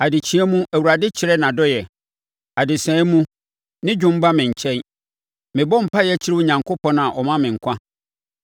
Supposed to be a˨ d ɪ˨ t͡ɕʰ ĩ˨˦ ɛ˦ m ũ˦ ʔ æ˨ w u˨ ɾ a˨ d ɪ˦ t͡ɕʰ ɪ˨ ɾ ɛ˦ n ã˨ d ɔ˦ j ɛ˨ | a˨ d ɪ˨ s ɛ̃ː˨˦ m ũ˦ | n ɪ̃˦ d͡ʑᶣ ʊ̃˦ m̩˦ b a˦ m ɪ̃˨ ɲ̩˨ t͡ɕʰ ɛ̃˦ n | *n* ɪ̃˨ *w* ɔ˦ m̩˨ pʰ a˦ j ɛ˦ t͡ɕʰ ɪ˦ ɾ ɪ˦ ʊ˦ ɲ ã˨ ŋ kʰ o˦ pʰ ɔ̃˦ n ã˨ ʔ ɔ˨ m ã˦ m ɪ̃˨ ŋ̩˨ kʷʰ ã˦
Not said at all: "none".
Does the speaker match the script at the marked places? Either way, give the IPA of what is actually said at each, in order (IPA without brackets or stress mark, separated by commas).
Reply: m, b